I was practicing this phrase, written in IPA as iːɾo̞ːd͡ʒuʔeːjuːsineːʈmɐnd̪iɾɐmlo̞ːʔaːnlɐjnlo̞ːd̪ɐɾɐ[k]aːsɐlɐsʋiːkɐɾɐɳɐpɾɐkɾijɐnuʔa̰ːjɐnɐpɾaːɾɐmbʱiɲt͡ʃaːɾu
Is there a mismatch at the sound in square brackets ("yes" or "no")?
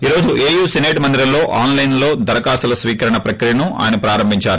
no